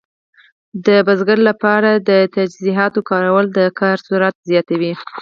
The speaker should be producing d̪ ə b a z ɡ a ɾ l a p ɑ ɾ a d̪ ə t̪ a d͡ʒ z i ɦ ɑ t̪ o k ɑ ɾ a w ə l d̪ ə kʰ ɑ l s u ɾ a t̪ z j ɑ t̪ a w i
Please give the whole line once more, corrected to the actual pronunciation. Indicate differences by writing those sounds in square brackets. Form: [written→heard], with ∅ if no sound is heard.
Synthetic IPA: d̪ ə b a z ɡ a ɾ l a p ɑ ɾ a d̪ ə t̪ a d͡ʒ z i ɦ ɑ t̪ o k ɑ ɾ a w ə l d̪ ə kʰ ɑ [l→ɾ] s u ɾ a t̪ z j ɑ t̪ a w i